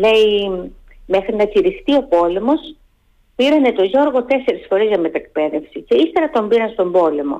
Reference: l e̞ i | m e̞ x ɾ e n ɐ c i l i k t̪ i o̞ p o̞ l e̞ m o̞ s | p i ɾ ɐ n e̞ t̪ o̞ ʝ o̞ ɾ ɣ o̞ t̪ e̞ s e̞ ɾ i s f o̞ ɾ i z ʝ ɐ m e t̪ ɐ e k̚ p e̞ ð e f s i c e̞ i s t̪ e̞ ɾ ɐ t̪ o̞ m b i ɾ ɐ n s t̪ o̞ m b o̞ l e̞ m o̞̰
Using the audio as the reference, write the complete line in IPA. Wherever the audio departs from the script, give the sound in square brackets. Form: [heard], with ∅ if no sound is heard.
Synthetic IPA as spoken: l e̞ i | m e̞ x ɾ [i] n ɐ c i [ɾ] i [x] t̪ i o̞ p o̞ l e̞ m o̞ s | p i ɾ ɐ n e̞ t̪ o̞ ʝ o̞ ɾ ɣ o̞ t̪ e̞ s e̞ ɾ i s f o̞ ɾ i z ʝ ɐ m e t̪ ɐ e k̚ p e̞ ð e f s i c e̞ i s t̪ e̞ ɾ ɐ t̪ o̞ m b i ɾ ɐ n s t̪ o̞ m b o̞ l e̞ m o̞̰